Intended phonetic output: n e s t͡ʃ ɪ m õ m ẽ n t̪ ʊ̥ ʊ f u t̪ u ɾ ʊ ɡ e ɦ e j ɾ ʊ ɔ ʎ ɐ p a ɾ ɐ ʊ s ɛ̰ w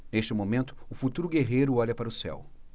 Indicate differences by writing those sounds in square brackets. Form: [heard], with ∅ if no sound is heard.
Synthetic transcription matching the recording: n e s t͡ʃ ɪ m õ m ẽ n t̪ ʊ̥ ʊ f u t̪ u ɾ ʊ ɡ e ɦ e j ɾ ʊ ɔ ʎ ɐ p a ɾ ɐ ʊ s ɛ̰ w